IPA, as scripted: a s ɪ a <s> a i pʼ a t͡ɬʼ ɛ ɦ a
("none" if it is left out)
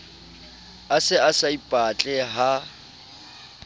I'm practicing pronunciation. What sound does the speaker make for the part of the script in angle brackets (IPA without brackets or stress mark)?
s